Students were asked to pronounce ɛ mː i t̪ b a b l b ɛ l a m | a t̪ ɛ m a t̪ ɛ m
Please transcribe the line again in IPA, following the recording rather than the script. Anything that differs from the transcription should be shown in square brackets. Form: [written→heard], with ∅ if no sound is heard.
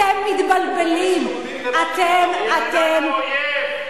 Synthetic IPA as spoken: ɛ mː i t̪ b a [b→∅] l b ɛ l [a→i] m | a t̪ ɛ m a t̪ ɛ m